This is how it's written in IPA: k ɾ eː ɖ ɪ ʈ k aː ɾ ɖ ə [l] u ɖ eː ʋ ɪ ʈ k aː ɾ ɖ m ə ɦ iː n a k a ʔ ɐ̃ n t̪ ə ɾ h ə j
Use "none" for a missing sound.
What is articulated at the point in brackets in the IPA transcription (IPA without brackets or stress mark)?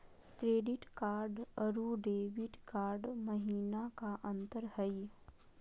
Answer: ɾ